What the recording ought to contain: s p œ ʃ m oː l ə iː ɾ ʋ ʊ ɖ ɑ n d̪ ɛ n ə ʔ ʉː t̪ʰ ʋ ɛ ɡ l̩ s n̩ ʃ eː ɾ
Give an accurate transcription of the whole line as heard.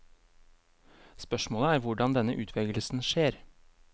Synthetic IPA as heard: s p œ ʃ m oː l ə æː ɾ ʋ ʊ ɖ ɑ n d̪ ɛ n ə ʔ ʉː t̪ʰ ʋ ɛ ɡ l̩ s n̩ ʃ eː ɾ